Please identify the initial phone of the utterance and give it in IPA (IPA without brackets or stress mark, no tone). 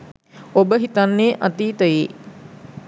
o